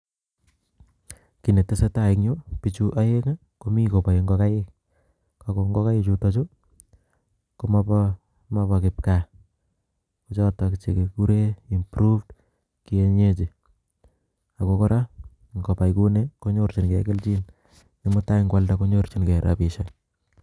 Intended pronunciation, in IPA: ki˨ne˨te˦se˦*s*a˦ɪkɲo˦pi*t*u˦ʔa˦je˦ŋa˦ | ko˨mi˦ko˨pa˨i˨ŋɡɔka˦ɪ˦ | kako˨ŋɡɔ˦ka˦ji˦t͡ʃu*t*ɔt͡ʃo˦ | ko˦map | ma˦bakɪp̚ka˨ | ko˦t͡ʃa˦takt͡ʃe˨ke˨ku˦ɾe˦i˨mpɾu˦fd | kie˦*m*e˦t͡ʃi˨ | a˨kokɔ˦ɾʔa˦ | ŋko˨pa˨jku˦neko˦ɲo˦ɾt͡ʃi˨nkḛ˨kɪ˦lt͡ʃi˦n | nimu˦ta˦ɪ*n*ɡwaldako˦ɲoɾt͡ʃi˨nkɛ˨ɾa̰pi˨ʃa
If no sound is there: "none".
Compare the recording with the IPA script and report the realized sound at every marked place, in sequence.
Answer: t, t͡ʃ, t, ɲ, ŋ

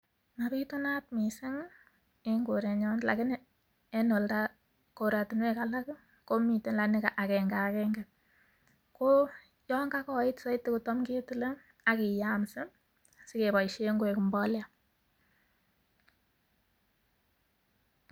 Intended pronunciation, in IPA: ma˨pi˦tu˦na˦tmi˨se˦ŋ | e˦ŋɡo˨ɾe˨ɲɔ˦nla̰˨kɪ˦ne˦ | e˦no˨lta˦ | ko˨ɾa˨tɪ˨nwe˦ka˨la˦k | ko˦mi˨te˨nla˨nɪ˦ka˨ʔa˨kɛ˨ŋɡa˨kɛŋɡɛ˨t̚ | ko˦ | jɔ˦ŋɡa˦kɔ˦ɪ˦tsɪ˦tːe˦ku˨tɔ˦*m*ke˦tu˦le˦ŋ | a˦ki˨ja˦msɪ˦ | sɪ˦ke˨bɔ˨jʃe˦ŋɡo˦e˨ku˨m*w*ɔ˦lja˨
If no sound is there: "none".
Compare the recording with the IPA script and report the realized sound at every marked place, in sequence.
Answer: m, b

